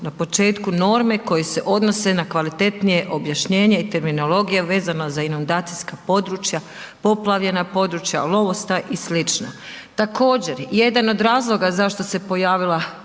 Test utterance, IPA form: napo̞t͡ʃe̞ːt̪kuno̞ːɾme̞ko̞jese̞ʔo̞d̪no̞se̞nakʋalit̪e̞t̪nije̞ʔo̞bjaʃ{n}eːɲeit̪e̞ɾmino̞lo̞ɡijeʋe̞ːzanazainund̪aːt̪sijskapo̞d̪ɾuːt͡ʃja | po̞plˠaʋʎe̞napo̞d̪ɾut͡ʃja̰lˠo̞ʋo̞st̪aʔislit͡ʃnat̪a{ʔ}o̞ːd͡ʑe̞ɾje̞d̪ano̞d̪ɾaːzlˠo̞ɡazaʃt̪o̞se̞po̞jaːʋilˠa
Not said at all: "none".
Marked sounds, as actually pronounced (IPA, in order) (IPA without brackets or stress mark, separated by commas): ɲ, k